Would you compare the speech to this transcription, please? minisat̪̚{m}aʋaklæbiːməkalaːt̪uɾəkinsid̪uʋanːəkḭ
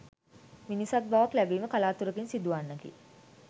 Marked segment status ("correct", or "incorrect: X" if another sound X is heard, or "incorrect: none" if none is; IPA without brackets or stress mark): incorrect: b